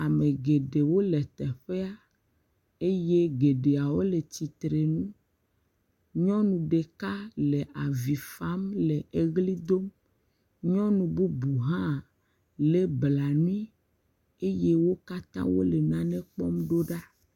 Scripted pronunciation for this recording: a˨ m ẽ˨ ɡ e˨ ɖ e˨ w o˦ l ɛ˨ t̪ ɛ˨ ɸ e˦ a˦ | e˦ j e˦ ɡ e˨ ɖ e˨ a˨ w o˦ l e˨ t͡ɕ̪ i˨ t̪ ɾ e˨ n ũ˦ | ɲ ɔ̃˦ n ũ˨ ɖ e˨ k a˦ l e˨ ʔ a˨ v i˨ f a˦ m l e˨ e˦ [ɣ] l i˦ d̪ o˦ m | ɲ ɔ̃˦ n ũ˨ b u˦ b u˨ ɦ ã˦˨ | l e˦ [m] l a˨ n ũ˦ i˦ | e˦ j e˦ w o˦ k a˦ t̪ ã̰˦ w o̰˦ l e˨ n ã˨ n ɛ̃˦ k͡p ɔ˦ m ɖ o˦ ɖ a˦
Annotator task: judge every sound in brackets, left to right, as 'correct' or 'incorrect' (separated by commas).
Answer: correct, incorrect